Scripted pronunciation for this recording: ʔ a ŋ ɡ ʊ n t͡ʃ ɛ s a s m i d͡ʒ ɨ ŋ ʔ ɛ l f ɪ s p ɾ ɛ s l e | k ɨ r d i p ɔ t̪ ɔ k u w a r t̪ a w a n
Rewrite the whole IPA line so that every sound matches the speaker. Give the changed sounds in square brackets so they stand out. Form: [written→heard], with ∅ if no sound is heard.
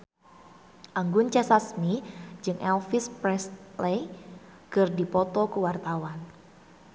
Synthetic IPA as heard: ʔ a ŋ ɡ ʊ n t͡ʃ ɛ s a s m i d͡ʒ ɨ ŋ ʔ ɛ l f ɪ s p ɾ ɛ s l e | k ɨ r d i p ɔ t̪ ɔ k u w a r t̪ a w a n